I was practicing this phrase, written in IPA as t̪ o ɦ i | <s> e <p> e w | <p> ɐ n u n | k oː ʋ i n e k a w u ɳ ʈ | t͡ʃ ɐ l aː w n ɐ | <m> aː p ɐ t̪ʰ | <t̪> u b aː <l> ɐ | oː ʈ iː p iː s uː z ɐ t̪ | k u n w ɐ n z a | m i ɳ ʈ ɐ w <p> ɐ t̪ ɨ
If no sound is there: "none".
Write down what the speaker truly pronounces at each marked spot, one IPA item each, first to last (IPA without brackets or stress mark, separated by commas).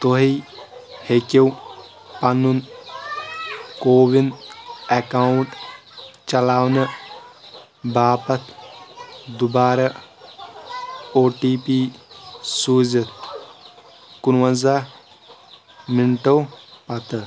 h, k, p, b, d̪, ɾ, p